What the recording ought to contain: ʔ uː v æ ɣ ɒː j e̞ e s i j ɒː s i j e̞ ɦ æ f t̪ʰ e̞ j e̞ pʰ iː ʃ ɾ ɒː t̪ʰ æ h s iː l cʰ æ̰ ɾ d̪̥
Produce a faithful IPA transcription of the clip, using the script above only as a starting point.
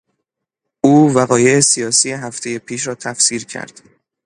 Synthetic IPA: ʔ uː v æ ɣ ɒː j e̞ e s i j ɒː s i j e̞ ɦ æ f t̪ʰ e̞ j e̞ pʰ iː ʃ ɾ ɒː t̪ʰ æ f s iː ɾ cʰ æ̰ ɾ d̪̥